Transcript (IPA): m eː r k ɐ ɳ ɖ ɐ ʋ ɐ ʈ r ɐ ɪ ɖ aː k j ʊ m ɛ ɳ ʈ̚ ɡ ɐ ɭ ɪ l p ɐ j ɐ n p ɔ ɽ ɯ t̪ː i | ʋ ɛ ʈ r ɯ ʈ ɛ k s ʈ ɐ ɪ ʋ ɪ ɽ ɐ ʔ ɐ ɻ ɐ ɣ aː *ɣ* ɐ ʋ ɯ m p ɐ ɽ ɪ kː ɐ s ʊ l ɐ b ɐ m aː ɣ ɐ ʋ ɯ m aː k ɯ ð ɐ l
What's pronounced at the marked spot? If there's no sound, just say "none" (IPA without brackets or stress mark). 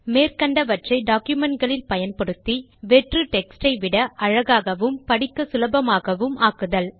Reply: ɣ